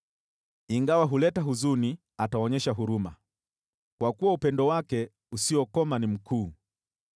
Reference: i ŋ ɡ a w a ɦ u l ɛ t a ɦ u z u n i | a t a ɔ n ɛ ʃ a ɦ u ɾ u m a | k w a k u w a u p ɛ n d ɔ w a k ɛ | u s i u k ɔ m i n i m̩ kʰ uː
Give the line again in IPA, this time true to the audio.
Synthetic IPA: i ŋ ɡ a w a ɦ u l ɛ t a ɦ u z u n i | a t a ɔ ɲ ɛ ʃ a ɦ u ɾ u m a | k w a k u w a u p ɛ n d ɔ w a k ɛ | u s i ɔ k ɔ m a n i m̩ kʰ uː